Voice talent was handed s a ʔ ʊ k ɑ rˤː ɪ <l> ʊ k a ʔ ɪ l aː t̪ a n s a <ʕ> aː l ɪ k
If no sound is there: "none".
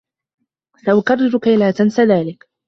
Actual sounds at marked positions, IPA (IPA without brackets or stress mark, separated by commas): ɾ, ð